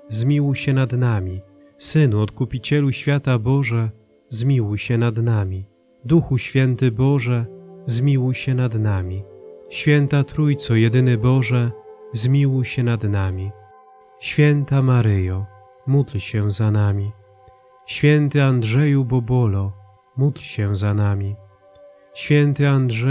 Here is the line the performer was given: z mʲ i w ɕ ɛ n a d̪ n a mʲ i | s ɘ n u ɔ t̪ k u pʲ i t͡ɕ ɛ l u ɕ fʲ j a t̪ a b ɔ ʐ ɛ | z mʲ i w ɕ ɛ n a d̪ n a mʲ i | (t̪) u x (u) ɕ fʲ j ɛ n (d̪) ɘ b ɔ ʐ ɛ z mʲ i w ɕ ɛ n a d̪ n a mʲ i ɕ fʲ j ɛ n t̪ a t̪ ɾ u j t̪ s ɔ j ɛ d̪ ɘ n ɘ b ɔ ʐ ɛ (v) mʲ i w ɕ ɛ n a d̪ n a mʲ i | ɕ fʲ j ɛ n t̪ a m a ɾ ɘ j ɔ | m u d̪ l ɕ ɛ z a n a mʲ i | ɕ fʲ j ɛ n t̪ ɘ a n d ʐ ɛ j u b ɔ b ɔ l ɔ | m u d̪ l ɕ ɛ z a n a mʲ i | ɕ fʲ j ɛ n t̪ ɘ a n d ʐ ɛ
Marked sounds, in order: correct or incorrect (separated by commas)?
incorrect, correct, incorrect, incorrect